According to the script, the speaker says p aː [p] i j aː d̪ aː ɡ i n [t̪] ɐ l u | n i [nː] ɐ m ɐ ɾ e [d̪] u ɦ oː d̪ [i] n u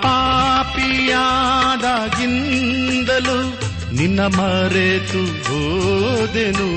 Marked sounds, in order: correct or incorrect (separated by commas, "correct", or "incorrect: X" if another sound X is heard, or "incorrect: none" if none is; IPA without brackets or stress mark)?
correct, incorrect: d̪, correct, incorrect: t̪, incorrect: e